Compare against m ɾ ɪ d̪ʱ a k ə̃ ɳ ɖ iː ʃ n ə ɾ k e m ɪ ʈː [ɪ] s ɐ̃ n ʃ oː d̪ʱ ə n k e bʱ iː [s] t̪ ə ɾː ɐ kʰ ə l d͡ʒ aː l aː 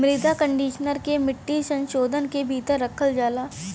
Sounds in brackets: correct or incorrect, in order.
incorrect, incorrect

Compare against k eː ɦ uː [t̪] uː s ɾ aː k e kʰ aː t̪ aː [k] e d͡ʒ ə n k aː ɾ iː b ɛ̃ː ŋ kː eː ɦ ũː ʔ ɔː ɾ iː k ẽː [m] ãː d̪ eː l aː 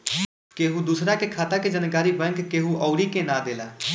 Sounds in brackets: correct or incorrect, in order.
incorrect, correct, incorrect

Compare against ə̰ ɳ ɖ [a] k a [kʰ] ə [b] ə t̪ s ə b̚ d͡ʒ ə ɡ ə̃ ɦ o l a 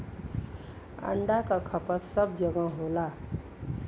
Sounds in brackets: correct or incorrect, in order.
correct, correct, incorrect

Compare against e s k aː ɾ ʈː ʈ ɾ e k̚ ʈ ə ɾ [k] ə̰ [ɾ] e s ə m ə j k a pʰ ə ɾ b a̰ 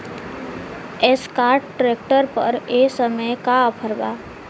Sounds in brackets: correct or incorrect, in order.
incorrect, correct

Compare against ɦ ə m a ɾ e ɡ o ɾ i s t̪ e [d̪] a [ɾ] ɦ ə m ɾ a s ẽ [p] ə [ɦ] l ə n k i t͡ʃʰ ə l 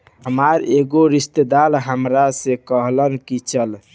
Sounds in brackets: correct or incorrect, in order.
correct, incorrect, incorrect, correct

